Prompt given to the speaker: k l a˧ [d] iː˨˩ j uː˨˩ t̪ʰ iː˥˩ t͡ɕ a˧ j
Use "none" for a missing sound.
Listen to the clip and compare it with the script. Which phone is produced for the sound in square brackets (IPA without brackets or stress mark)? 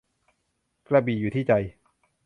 b